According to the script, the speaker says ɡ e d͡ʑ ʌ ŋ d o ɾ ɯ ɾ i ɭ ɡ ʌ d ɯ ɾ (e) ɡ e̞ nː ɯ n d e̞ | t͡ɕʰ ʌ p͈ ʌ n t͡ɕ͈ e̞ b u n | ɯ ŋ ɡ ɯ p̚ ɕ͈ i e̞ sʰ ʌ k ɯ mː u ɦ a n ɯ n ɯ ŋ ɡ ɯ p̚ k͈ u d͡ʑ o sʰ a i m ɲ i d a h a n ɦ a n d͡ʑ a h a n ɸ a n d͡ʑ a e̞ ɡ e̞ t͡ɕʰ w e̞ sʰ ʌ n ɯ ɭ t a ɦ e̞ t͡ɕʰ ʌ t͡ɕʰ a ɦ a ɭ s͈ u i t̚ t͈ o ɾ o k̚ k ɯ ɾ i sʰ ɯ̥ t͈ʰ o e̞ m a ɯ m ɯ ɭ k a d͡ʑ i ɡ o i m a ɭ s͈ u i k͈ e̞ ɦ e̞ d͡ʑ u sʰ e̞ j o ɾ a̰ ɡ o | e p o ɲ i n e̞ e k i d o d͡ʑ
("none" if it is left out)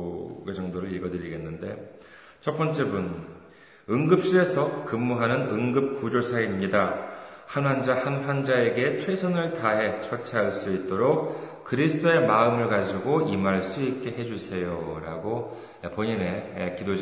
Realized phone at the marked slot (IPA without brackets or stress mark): i